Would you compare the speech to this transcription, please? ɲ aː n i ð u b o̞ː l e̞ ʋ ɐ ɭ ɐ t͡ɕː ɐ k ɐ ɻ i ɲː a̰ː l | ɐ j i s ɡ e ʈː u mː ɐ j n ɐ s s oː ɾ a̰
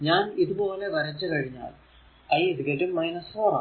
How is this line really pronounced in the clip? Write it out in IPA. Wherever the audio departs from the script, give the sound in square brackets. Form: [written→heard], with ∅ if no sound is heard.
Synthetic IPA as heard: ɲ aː n i ð u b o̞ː l e̞ ʋ ɐ [ɭ→ɾ] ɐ t͡ɕː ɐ k ɐ ɻ i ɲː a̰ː l | ɐ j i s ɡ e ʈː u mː ɐ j n ɐ s [s→f] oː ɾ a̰